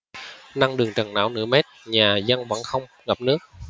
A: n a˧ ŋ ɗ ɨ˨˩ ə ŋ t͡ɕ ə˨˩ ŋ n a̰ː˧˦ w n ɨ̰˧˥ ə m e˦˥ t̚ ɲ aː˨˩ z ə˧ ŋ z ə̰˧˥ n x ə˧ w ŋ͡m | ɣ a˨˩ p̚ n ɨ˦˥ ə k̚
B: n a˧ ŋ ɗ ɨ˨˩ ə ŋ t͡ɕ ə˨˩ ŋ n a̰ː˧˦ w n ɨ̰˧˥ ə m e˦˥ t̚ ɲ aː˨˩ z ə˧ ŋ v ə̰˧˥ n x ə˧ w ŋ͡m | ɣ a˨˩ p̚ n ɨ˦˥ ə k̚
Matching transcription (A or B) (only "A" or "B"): B